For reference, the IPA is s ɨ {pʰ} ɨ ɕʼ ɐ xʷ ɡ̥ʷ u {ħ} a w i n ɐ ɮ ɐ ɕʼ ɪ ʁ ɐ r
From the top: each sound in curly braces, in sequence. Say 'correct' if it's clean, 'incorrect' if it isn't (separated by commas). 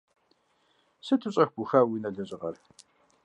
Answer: incorrect, incorrect